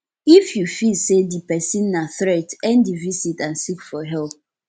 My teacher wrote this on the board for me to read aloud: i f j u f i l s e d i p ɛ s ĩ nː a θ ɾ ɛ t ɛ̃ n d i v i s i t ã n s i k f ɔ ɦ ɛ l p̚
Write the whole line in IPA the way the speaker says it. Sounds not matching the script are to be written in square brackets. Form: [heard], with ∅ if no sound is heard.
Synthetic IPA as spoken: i f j u f i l s e d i p ɛ s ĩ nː a θ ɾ ɛ t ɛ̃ n d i v i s i t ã n s i k f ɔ ɦ ɛ l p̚

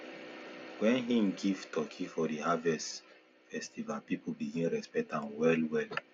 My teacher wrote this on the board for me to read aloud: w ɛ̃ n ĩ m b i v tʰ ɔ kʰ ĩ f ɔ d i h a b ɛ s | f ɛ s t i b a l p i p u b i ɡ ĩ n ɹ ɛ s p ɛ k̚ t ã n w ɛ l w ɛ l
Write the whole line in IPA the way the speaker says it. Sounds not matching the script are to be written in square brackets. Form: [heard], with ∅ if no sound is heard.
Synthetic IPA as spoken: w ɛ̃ n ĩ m [ɡ] i v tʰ ɔ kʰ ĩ f ɔ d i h a [v] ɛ s | f ɛ s t i [v] a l p i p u b i ɡ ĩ n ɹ ɛ s p ɛ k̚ t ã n w ɛ l w ɛ l

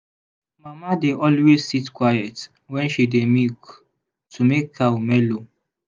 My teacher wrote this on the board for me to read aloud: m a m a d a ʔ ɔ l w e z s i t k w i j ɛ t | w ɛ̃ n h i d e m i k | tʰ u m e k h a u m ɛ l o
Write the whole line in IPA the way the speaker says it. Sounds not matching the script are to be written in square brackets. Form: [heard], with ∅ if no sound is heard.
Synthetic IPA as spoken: m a m a d [e] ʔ ɔ l w e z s i t k w [a] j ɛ t | w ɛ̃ n [ʃ] i d e m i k | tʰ u m e k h a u m ɛ l o

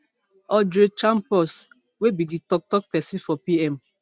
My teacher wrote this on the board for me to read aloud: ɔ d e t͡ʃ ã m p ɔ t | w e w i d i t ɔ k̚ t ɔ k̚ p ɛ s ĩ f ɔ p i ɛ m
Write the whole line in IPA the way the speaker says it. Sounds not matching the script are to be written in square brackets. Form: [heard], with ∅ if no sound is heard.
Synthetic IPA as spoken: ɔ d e t͡ʃ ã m p ɔ [s] | w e [b] i d i t ɔ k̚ t ɔ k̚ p ɛ s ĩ f ɔ p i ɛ m

